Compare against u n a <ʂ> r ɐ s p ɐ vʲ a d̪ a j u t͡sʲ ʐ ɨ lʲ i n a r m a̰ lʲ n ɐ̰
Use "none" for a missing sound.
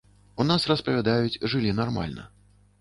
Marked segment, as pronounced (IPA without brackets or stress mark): s